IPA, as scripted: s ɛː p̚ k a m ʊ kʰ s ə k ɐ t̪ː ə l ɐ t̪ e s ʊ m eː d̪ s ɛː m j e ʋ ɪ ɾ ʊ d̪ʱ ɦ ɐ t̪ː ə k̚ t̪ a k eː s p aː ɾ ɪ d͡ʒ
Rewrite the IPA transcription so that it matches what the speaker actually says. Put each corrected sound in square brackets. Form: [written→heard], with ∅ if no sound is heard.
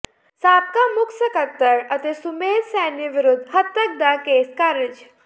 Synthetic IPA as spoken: s [ɛː→aː] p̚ k a m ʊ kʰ s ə k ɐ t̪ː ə [l→ɾ] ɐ t̪ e s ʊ m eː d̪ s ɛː [m→n] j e ʋ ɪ ɾ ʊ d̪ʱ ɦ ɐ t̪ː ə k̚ [t̪→d̪] a k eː s [p→k] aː ɾ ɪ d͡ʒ